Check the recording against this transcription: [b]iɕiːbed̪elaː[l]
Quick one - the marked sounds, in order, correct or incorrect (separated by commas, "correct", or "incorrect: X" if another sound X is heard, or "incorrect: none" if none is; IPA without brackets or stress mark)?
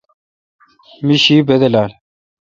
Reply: incorrect: m, correct